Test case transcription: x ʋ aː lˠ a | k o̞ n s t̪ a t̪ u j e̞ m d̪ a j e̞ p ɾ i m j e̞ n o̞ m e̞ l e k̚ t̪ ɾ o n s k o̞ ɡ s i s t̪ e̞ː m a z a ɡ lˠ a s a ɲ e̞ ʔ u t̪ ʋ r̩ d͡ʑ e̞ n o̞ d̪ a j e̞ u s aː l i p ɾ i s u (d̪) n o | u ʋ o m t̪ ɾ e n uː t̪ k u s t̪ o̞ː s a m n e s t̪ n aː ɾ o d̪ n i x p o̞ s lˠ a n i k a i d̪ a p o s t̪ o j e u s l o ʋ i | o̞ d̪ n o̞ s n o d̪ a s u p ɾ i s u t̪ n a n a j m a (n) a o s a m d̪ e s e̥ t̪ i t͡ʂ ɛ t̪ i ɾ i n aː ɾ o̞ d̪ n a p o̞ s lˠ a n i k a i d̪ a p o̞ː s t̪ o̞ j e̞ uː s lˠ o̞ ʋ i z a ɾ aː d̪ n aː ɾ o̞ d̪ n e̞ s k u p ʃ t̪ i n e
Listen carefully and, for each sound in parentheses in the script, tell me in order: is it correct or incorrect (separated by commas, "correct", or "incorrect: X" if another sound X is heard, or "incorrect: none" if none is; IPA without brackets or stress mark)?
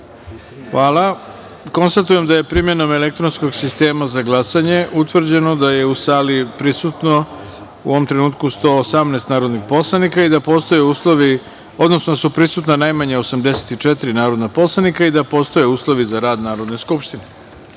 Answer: incorrect: t̪, incorrect: ɲ